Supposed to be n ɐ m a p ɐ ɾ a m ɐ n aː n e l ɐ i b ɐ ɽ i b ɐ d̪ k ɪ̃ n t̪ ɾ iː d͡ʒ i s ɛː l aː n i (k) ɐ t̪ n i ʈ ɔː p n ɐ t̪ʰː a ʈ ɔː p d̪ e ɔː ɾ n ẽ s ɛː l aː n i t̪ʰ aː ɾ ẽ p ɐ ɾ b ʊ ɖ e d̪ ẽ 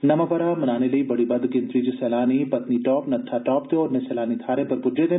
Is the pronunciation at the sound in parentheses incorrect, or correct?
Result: incorrect: p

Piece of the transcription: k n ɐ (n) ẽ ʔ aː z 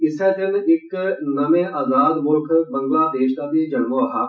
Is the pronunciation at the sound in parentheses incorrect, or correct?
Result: incorrect: m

